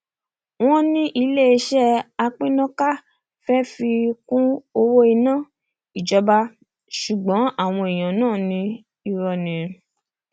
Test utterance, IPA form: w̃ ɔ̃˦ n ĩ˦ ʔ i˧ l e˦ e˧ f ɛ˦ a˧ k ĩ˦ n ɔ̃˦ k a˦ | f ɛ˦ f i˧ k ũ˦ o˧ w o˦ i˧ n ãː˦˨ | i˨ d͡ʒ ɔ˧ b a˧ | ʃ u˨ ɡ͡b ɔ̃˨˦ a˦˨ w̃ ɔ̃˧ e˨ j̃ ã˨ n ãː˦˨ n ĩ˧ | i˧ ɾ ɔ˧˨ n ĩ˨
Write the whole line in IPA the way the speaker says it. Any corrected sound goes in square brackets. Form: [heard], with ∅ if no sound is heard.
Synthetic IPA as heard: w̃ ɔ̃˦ n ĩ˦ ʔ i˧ l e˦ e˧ [ʃ] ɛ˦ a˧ [k͡p] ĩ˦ n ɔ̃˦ k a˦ | f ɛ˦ f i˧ k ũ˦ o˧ w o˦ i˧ n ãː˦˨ | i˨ d͡ʒ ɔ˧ b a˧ | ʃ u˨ ɡ͡b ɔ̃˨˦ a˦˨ w̃ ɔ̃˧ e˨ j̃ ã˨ n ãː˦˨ n ĩ˧ | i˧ ɾ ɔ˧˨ n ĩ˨